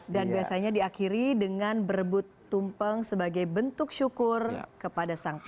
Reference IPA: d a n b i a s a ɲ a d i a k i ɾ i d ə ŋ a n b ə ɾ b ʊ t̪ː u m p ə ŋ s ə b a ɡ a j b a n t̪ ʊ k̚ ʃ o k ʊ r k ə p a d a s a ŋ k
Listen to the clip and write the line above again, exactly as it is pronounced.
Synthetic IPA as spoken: d a n b i a s a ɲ a d i a k i ɾ i d ə ŋ a n b ə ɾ b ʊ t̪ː u m p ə ŋ s ə b a ɡ a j b ə n t̪ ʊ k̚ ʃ u k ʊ r k ə p a d a s a ŋ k